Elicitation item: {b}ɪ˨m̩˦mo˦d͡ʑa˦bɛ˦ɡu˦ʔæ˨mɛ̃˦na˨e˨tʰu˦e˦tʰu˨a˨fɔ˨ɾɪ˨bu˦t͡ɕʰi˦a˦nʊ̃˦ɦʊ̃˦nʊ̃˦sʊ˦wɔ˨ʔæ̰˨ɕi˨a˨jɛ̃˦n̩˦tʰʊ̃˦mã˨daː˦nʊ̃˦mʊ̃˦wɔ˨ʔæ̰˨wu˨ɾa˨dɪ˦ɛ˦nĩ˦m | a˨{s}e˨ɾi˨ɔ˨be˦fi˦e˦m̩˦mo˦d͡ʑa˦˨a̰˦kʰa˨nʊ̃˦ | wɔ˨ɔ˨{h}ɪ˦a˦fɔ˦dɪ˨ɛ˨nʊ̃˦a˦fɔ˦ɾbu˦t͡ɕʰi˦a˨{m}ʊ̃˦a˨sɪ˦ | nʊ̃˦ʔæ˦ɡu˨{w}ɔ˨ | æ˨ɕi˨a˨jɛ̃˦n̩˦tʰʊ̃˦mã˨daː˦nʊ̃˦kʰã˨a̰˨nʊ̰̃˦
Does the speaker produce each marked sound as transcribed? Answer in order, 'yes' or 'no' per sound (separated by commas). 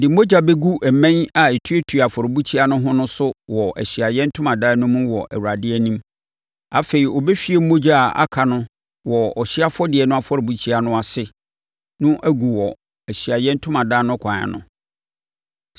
no, no, no, no, yes